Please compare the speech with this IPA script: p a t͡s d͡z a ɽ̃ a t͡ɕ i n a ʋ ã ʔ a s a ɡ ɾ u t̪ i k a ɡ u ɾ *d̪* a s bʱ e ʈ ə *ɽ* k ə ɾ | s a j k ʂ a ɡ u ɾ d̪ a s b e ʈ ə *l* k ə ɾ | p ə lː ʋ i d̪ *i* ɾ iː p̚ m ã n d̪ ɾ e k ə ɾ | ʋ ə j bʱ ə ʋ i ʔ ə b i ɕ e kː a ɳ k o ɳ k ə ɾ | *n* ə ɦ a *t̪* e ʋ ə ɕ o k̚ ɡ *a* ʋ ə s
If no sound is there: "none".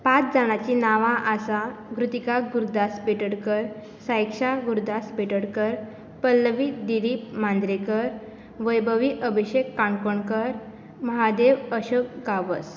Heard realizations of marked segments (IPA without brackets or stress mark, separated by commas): d̪, ɽ, ɽ, i, m, d̪, a